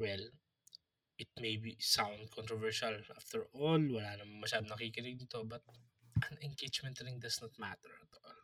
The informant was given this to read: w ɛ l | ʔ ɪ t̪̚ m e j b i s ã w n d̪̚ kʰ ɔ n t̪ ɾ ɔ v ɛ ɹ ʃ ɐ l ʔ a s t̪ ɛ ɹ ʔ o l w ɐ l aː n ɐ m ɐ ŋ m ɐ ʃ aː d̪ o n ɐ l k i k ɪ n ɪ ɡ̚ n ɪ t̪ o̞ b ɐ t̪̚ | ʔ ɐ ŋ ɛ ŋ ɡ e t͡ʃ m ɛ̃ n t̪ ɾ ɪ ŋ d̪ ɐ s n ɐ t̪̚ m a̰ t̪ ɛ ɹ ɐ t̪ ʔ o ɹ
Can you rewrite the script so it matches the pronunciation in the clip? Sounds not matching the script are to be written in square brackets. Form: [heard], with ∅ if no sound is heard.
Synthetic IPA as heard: w ɛ l | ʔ ɪ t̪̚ m e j b i s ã w n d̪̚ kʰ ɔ n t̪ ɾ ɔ v ɛ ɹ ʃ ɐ l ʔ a [f] t̪ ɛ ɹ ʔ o l w ɐ l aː n ɐ m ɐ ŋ m ɐ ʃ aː d̪ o n ɐ [∅] k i k ɪ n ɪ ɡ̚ n ɪ t̪ o̞ b ɐ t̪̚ | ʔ ɐ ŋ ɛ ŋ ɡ e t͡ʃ m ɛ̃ n t̪ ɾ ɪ ŋ d̪ ɐ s n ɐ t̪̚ m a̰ t̪ ɛ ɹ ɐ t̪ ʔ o [l]